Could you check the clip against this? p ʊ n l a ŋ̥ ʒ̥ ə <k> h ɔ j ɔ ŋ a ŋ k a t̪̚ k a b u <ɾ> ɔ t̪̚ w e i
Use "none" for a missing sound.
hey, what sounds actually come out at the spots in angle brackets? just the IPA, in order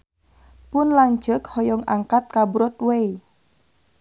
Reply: k, ɾ

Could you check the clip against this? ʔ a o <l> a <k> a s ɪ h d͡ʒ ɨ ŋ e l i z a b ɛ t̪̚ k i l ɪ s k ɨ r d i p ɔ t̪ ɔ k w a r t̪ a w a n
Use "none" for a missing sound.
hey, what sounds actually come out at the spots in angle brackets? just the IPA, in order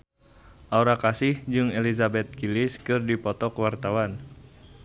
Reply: ɾ, k

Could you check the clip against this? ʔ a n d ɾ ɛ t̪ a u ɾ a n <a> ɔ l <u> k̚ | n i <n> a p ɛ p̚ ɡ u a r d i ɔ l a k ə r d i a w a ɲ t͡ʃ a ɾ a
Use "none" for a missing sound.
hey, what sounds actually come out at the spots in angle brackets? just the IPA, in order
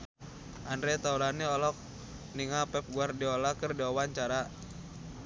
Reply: i, ɔ, ŋ

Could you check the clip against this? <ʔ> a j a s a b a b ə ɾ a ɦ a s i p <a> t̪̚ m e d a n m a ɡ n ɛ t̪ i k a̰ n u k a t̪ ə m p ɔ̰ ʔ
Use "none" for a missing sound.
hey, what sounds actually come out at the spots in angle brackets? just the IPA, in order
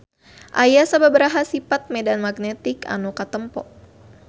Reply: ʔ, a

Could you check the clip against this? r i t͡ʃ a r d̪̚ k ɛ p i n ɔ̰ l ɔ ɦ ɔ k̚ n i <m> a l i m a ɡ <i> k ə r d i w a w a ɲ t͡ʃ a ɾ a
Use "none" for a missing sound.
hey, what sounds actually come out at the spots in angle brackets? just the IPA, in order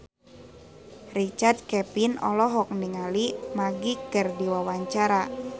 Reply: ŋ, i

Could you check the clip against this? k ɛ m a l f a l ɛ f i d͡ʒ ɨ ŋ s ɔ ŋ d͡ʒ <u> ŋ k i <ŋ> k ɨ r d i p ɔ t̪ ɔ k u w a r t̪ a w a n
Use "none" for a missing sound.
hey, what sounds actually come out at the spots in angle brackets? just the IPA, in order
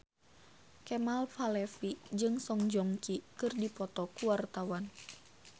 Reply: ɔ, none

